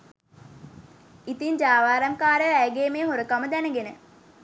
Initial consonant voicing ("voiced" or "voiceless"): voiceless